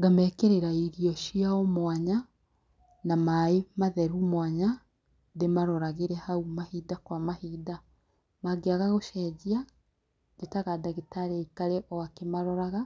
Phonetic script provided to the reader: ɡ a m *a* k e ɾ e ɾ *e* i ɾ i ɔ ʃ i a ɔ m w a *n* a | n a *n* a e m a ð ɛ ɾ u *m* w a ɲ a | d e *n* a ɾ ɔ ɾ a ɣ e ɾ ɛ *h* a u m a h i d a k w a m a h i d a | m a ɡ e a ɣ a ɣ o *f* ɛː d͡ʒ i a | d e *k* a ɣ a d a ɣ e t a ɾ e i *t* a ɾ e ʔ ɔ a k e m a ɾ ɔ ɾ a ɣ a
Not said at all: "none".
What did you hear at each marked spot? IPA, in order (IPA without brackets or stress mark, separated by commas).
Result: ɛ, a, ɲ, m, m, m, h, ʃ, t, k